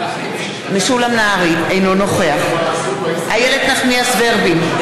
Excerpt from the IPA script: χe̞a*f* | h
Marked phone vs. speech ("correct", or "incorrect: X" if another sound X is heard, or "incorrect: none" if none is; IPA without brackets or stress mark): incorrect: χ